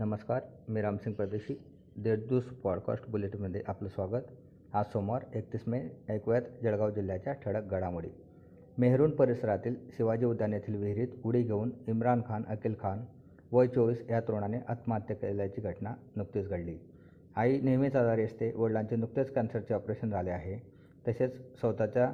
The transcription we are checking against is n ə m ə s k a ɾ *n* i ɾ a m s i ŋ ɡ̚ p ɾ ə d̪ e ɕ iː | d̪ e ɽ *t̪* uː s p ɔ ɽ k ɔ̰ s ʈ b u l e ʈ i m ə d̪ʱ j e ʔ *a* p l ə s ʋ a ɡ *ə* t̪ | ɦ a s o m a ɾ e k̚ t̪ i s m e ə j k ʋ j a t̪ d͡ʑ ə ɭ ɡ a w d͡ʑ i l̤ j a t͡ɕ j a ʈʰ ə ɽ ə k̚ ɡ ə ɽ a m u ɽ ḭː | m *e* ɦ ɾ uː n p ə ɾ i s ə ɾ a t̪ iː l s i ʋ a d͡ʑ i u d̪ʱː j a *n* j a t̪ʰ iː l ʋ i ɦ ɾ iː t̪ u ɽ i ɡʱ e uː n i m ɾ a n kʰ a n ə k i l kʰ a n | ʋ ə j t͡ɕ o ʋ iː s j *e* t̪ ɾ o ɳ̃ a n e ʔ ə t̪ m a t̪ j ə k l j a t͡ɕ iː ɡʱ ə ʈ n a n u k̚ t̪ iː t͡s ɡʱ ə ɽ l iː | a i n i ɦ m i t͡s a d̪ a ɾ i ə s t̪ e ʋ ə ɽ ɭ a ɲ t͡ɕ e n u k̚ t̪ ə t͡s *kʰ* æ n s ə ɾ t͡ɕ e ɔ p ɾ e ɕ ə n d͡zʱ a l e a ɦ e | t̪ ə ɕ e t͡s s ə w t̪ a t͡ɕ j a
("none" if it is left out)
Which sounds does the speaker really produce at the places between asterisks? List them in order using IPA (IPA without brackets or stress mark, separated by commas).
m, d̪, a, ə, e, n, a, k